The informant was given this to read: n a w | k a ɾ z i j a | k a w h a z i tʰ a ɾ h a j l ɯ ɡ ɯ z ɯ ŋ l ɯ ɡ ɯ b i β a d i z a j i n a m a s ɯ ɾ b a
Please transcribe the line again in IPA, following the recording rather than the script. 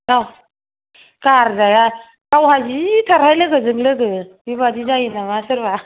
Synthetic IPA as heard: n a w | k a ɾ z a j a | k a w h a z i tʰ a ɾ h a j l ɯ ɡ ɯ z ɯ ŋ l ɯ ɡ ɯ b i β a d i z a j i n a m a s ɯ ɾ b a